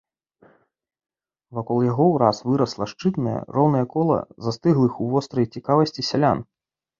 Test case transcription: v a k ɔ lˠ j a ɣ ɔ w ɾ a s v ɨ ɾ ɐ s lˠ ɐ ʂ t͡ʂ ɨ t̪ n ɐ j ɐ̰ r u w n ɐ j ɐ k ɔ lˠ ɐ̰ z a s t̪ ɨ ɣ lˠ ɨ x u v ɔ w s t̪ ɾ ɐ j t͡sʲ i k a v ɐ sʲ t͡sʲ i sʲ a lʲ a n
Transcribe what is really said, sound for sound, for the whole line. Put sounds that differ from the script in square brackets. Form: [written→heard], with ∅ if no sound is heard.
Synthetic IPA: v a k ɔ lˠ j a ɣ ɔ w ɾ a s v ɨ ɾ ɐ s lˠ ɐ ʂ t͡ʂ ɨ t̪ n ɐ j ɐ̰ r [u→ɔ] w n ɐ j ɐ k ɔ lˠ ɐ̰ z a s t̪ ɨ ɣ lˠ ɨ x u v ɔ [w→∅] s t̪ ɾ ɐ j t͡sʲ i k a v ɐ sʲ t͡sʲ i sʲ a lʲ a n